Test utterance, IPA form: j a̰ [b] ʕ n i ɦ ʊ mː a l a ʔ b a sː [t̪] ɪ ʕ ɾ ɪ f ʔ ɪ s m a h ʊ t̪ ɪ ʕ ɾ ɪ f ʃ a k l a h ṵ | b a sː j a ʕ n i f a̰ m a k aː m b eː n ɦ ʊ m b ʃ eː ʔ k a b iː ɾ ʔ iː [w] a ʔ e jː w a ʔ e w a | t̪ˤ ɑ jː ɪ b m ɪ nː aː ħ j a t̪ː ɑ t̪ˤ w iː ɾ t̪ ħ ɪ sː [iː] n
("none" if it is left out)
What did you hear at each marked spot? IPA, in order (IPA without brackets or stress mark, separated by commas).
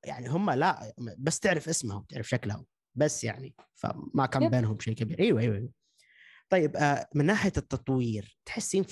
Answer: none, t̪, w, iː